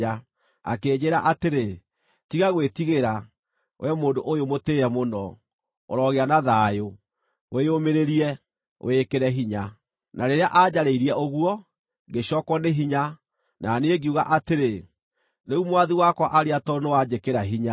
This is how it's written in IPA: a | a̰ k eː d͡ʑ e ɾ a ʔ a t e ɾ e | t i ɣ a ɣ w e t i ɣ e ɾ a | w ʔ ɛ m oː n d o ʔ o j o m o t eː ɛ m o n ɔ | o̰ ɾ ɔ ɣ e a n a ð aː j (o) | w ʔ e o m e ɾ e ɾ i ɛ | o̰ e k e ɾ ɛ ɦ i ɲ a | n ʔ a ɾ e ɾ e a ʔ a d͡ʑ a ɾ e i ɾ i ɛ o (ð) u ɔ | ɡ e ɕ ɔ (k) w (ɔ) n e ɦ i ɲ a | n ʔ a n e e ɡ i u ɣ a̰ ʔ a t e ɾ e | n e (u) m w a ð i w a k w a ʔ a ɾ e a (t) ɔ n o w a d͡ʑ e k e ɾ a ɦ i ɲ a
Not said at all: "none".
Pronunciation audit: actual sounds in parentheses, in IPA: o, ɣ, k, ɔ, u, t

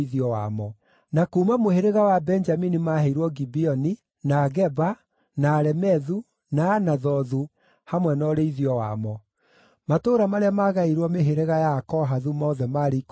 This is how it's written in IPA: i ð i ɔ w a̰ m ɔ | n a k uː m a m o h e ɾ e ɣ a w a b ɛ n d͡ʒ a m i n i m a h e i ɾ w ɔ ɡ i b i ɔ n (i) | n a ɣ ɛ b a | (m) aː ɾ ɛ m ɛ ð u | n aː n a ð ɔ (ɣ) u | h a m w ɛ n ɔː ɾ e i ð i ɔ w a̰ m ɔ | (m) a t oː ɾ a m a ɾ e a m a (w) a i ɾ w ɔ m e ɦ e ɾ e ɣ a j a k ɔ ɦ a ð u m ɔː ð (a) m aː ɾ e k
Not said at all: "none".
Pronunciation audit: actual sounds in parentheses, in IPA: i, n, ð, m, ɣ, ɛ

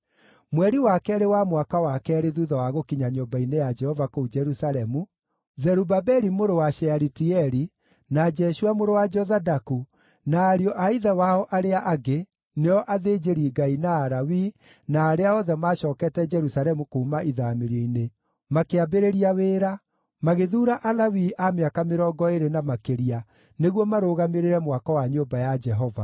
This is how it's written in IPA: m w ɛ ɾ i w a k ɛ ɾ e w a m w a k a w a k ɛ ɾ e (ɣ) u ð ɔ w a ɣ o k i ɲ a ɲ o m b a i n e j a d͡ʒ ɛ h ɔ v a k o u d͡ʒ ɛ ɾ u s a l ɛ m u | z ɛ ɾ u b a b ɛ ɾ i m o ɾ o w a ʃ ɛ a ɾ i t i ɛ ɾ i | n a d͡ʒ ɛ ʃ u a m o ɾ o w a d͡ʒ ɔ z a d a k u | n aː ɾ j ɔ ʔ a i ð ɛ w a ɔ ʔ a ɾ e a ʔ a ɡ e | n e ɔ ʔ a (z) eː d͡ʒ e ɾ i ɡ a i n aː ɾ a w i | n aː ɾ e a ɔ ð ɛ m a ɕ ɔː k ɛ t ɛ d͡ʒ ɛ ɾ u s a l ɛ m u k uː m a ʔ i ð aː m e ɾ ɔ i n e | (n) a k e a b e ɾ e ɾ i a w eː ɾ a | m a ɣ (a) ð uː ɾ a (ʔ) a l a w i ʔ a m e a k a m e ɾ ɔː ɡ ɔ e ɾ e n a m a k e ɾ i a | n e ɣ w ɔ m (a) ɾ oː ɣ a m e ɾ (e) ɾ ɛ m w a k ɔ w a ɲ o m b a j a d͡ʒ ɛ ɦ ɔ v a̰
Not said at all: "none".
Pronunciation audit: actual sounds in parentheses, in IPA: ð, ð, m, e, ʔ, a, e

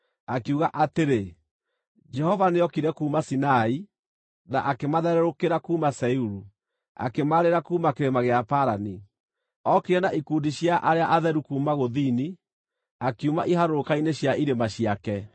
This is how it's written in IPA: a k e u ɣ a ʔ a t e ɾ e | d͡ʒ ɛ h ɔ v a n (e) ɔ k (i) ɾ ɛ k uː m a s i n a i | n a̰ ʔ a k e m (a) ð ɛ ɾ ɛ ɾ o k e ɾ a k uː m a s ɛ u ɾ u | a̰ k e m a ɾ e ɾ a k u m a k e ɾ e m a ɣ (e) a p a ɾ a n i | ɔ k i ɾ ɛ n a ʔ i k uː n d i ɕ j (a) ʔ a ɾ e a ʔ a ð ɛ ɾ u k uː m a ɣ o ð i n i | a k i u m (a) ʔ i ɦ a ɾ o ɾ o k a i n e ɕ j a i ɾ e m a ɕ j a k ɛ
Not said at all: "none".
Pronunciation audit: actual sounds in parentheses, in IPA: e, i, a, e, a, a

